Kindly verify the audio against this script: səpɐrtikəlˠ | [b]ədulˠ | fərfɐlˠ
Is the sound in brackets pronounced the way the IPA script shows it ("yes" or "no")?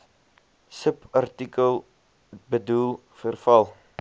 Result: yes